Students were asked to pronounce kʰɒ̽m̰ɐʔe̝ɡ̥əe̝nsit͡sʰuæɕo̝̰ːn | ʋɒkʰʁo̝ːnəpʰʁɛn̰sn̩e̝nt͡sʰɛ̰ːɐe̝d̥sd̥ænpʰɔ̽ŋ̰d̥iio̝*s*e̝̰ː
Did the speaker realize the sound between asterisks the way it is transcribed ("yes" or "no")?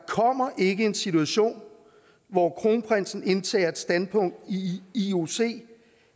yes